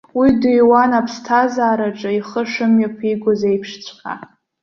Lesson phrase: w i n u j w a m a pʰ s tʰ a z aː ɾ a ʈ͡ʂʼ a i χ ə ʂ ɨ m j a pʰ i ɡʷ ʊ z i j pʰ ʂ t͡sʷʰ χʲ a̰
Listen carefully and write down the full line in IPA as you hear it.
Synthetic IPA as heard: w i d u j w a n a pʰ s tʰ a z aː ɾ a ʈ͡ʂʼ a i χ ə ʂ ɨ m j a pʰ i ɡʷ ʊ z e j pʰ ʂ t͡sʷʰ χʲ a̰